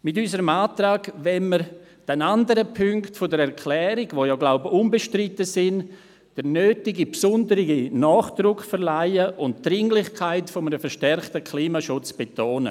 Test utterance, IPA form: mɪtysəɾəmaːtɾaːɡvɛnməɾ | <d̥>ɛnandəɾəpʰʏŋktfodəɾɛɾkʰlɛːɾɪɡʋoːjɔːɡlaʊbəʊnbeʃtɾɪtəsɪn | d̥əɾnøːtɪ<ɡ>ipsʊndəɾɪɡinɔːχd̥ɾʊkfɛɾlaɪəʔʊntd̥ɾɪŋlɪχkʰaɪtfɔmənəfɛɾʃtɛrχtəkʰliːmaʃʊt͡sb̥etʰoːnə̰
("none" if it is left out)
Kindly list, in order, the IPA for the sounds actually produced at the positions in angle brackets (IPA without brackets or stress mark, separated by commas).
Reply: d̥, ɡ